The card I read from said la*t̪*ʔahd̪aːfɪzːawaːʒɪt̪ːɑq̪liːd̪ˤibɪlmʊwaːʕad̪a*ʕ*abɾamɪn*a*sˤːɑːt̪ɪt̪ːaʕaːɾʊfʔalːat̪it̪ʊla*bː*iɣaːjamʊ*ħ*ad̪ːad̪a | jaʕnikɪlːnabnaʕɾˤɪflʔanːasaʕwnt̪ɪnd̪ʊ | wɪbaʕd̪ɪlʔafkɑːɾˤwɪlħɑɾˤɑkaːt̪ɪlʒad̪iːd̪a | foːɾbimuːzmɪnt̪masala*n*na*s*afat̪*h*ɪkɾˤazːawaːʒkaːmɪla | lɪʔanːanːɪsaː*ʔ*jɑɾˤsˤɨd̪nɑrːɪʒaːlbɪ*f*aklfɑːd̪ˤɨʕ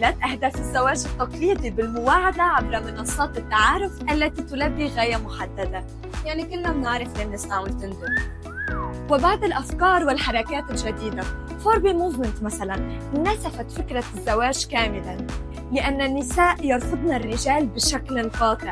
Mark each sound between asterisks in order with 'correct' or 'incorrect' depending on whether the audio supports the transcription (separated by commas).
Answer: correct, correct, incorrect, correct, correct, correct, correct, incorrect, correct, incorrect